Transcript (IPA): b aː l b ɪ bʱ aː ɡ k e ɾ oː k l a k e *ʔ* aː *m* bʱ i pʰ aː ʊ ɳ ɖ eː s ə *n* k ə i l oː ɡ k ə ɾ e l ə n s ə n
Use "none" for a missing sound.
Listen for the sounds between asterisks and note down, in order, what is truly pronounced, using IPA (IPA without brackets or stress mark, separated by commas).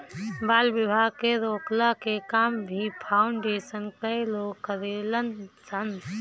k, m, n